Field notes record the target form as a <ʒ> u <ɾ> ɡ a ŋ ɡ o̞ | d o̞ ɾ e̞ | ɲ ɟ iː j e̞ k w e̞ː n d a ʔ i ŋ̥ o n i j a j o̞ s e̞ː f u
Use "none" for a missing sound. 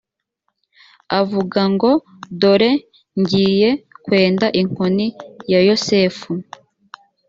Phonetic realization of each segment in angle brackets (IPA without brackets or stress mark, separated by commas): v, none